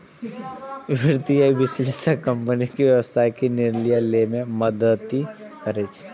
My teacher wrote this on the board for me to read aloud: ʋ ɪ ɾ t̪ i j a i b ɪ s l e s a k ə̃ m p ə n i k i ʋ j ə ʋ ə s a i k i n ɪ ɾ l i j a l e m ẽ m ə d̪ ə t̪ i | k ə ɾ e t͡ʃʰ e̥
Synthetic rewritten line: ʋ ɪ ɾ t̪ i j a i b ɪ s l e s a k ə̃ m p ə n i k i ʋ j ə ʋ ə s a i k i n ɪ ɾ l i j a l e m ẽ m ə d̪ ə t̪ i | k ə ɾ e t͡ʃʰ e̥